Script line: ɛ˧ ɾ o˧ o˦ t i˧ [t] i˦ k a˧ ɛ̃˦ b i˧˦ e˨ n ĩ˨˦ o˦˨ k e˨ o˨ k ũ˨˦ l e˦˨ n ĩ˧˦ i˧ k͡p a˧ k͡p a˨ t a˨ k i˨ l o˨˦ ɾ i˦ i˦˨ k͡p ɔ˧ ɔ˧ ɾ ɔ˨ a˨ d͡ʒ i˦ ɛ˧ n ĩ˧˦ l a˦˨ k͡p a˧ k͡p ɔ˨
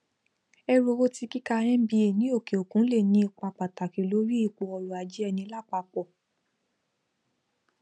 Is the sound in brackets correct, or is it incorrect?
incorrect